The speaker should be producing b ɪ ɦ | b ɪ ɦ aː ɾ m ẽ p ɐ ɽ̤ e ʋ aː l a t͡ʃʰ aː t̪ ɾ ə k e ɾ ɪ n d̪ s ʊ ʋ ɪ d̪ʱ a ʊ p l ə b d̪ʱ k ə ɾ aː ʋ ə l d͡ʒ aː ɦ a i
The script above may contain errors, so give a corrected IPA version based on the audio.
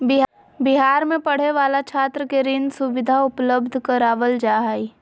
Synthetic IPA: b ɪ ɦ | b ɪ ɦ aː ɾ m ẽ p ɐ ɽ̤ e ʋ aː l a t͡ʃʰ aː t̪ ɾ ə k e ɾ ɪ n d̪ s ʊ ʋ ɪ d̪ʱ a ʊ p l ə b d̪ʱ k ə ɾ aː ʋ ə l d͡ʒ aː ɦ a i

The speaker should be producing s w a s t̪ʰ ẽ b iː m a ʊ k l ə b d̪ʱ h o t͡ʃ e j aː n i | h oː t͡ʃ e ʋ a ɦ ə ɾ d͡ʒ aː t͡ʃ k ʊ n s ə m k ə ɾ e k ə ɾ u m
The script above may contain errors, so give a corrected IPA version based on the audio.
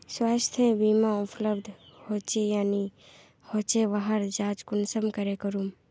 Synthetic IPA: s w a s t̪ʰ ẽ b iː m a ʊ p l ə b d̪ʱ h o t͡ʃ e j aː n i | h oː t͡ʃ e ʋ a ɦ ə ɾ d͡ʒ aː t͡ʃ k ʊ n s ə m k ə ɾ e k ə ɾ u m

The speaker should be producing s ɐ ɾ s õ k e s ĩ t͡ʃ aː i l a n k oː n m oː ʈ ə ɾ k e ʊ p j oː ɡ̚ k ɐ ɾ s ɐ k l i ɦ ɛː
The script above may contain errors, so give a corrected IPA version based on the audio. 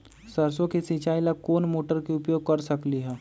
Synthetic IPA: s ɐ ɾ s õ k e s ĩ t͡ʃ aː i l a k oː n m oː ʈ ə ɾ k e ʊ p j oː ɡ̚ k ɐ ɾ s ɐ k l i ɦ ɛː

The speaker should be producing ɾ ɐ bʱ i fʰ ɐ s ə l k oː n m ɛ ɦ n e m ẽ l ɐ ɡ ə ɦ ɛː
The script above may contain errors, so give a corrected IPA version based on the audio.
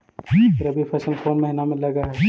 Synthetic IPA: ɾ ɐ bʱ i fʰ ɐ s ə l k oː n m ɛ ɦ n a m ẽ l ɐ ɡ a ɦ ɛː

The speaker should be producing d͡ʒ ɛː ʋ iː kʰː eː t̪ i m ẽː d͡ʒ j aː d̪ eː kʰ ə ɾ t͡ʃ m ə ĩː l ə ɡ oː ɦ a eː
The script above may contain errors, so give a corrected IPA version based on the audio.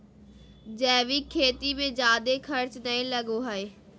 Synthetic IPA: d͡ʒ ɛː ʋ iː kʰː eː t̪ i m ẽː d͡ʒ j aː d̪ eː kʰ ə ɾ t͡ʃ n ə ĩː l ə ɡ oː ɦ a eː

